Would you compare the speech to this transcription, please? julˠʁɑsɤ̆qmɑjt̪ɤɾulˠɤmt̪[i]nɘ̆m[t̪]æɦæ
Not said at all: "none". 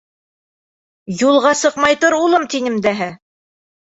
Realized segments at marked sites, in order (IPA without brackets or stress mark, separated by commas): i, d̪